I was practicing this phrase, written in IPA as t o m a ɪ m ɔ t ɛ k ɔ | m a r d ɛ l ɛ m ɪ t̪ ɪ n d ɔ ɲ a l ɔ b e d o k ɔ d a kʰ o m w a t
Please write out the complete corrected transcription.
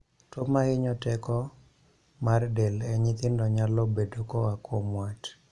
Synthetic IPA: t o m a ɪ ɲ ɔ t ɛ k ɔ | m a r d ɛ l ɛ ɲ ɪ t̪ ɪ n d ɔ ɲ a l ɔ b e d o k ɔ a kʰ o m w a t